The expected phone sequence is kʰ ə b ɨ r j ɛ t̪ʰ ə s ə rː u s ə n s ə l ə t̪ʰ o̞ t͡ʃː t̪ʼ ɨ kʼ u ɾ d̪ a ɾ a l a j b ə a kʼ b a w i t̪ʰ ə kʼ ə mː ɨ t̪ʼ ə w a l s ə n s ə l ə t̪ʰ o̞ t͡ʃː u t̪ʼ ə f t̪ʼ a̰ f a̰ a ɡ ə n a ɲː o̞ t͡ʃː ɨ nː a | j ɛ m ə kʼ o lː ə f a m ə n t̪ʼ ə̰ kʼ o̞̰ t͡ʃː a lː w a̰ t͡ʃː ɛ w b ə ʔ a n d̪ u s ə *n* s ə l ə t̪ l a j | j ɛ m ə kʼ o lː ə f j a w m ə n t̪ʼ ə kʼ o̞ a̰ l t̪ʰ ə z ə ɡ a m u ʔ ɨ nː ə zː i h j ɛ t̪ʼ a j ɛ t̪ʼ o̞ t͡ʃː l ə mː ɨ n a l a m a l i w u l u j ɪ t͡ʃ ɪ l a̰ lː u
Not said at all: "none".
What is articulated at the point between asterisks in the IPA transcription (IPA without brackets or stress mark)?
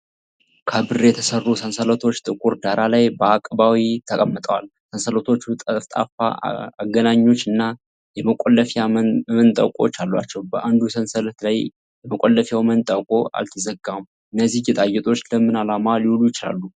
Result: n